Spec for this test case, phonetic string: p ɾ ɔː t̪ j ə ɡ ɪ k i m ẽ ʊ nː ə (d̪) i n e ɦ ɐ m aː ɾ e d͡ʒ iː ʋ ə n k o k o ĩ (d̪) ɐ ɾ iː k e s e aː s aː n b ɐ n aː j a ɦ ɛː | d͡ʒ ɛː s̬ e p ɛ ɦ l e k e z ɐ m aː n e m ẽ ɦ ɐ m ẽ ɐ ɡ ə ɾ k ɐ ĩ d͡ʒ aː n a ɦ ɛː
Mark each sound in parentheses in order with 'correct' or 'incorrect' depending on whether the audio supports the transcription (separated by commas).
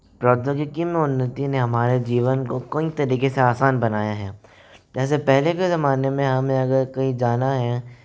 incorrect, incorrect